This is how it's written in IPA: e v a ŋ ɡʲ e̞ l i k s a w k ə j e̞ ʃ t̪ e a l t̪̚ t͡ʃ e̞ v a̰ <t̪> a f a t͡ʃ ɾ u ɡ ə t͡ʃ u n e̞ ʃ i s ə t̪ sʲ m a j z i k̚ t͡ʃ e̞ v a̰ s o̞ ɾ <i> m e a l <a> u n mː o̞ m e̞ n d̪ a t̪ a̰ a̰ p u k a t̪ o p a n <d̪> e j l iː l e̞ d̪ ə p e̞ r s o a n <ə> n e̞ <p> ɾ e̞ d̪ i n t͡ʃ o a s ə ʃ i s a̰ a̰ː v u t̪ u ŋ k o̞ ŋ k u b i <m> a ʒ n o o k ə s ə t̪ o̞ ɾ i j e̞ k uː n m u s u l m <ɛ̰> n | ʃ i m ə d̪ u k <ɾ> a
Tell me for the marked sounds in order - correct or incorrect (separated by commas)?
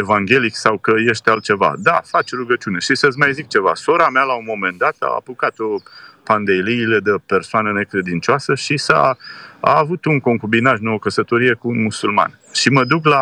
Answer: incorrect, incorrect, correct, correct, correct, incorrect, incorrect, incorrect, incorrect